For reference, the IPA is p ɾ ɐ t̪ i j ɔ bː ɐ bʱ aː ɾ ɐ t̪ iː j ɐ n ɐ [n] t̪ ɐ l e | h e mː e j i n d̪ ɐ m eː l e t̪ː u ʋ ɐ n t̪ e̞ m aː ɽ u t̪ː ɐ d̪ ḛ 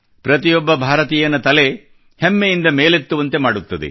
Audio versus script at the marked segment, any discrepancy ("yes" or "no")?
yes